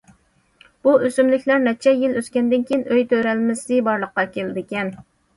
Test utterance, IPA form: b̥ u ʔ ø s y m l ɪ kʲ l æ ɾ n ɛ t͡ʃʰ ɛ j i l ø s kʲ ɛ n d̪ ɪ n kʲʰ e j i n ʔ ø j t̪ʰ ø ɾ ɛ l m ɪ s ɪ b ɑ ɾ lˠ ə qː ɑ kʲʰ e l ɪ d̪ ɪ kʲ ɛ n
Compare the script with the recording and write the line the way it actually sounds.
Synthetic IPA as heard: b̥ u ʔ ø s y m l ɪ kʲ l æ ɾ n ɛ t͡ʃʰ ɛ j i l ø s kʲ ɛ n d̪ ɪ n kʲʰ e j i n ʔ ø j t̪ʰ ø ɾ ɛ l m ɪ s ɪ b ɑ ɾ lˠ ə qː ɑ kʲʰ e l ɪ d̪ ɪ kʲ ɛ n

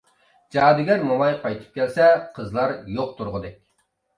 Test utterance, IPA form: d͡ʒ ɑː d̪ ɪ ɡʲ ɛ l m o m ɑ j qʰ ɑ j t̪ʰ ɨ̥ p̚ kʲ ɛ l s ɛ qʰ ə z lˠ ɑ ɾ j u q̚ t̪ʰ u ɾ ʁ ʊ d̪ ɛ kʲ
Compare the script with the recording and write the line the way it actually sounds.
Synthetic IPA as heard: d͡ʒ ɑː d̪ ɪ ɡʲ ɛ ɾ m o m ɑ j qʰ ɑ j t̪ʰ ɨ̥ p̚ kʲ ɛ l s ɛ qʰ ə z lˠ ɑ ɾ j o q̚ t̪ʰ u ɾ ʁ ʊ d̪ ɛ kʲ

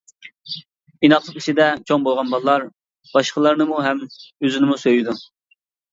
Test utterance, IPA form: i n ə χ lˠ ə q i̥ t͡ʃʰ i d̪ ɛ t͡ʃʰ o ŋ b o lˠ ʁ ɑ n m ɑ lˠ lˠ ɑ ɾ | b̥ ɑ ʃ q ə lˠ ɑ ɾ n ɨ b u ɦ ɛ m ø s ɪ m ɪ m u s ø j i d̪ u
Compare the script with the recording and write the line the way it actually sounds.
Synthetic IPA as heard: i n ɑ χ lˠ ə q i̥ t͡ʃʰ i d̪ ɛ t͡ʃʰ o ŋ b o lˠ ʁ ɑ n b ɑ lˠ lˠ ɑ ɾ | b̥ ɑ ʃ q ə lˠ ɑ ɾ n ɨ m u ɦ ɛ m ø z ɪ n ɪ m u s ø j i d̪ u

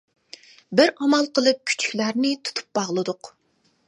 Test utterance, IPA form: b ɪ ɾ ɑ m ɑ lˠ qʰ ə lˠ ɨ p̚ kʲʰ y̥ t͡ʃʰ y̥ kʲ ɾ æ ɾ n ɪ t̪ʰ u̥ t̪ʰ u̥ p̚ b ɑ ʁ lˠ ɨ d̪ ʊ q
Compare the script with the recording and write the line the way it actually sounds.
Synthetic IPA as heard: b ɪ ɾ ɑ m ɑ lˠ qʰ ə lˠ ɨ p̚ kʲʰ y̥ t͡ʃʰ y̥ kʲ l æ ɾ n ɪ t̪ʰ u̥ t̪ʰ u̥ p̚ b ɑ ʁ lˠ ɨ d̪ ʊ q

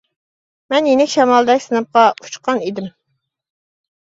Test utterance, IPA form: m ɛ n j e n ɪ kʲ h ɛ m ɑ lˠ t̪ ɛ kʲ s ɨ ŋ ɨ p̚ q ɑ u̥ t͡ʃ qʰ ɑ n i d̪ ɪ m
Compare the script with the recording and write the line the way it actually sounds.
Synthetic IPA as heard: m ɛ n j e n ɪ kʲ ʃ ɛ m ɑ lˠ d̪ ɛ kʲ s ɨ n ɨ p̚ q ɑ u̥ t͡ʃ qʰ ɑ n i d̪ ɪ m

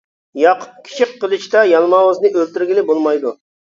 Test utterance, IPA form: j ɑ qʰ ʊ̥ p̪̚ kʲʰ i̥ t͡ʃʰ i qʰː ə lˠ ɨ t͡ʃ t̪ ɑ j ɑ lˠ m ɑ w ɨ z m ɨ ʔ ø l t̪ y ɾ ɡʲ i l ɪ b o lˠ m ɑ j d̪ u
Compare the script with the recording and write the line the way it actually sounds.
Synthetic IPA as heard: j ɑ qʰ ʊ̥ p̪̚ kʲʰ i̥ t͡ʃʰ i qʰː ə lˠ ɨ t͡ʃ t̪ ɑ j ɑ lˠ m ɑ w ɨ z n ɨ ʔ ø l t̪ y ɾ ɡʲ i l ɪ b o lˠ m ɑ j d̪ u

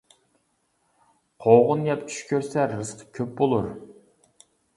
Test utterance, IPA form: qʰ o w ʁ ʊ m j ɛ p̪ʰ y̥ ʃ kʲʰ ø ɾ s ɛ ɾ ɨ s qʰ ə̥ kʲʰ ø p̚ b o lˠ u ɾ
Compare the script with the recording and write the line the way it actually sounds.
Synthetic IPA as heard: qʰ o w ʁ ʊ n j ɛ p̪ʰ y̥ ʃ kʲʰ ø ɾ s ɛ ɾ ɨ s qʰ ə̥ kʲʰ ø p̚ b o lˠ u ɾ

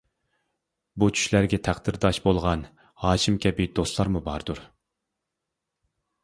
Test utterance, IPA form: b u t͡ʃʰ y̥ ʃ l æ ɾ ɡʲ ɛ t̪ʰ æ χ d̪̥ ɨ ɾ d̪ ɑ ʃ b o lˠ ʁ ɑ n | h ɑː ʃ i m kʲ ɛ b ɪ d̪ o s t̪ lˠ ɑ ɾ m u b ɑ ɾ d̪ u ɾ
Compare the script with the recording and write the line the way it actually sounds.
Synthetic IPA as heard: b u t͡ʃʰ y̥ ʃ l æ ɾ ɡʲ ɛ t̪ʰ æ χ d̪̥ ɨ ɾ d̪ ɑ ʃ b o lˠ ʁ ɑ n | h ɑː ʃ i m kʲ ɛ b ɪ d̪ o s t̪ lˠ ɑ ɾ m u b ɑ ɾ d̪ u ɾ

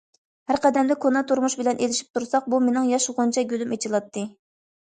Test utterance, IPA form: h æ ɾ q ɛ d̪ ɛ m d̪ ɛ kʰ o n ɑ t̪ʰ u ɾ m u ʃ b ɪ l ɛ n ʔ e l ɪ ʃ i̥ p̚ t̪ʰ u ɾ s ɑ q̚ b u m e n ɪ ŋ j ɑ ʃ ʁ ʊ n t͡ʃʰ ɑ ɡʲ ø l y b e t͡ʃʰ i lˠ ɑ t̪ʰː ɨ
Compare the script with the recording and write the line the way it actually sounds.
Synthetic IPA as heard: h æ ɾ q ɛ d̪ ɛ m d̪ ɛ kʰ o n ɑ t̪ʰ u ɾ m u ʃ b ɪ l ɛ n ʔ e l ɪ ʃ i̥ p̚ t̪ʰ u ɾ s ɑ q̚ b u m e n ɪ ŋ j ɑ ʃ ʁ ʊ n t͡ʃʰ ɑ ɡʲ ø l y m e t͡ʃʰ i lˠ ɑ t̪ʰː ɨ

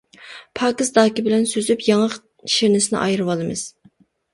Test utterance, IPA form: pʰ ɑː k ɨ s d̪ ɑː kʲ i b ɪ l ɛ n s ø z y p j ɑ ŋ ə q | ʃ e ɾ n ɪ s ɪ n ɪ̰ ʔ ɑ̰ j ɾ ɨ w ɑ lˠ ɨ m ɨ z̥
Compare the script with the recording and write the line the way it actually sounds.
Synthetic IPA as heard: pʰ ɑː k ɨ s d̪ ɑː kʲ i b ɪ l ɛ n s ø z y p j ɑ ŋ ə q | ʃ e ɾ n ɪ s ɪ n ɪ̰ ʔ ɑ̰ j ɾ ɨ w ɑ lˠ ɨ m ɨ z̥

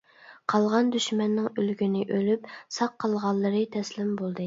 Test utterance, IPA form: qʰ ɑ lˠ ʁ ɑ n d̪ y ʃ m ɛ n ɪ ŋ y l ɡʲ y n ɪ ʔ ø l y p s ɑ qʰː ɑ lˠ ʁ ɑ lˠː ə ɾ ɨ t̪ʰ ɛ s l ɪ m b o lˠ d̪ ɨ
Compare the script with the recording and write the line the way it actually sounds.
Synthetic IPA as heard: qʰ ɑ lˠ ʁ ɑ n d̪ y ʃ m ɛ nː ɪ ŋ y l ɡʲ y n ɪ ʔ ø l y p s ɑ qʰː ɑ lˠ ʁ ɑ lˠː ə ɾ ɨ t̪ʰ ɛ s l ɪ m b o lˠ d̪ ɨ

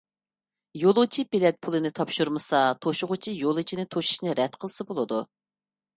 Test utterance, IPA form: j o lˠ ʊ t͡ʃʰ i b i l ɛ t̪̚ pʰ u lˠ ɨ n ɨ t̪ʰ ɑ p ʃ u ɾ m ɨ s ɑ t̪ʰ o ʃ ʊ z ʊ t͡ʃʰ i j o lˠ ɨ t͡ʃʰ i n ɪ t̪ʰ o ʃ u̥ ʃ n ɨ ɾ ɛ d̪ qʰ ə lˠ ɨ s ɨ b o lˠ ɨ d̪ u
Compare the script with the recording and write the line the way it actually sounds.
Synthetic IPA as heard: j o lˠ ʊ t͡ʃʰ i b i l ɛ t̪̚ pʰ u lˠ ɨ n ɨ t̪ʰ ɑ p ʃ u ɾ m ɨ s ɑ t̪ʰ o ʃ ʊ ʁ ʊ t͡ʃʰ i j o lˠ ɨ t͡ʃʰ i n ɪ t̪ʰ o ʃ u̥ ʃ n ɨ ɾ ɛ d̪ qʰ ə lˠ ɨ s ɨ b o lˠ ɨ d̪ u

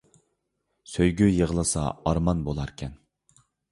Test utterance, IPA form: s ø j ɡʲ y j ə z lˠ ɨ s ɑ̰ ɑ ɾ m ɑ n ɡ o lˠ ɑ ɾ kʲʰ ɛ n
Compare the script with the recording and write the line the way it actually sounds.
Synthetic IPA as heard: s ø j ɡʲ y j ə ʁ lˠ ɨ s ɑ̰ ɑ ɾ m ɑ n b o lˠ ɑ ɾ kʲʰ ɛ n

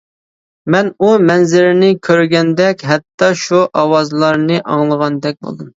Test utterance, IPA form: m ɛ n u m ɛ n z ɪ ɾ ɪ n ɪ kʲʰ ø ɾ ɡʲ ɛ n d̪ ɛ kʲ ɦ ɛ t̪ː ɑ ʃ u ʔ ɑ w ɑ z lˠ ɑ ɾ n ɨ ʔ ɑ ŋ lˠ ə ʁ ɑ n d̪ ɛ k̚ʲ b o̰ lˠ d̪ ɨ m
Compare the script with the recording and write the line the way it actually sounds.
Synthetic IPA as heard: m ɛ n u m ɛ n z ɪ ɾ ɪ n ɪ kʲʰ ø ɾ ɡʲ ɛ n d̪ ɛ kʲ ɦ ɛ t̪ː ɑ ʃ u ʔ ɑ w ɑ z lˠ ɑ ɾ n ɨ ʔ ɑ ŋ lˠ ə ʁ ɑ n d̪ ɛ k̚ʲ b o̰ lˠ d̪ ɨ m

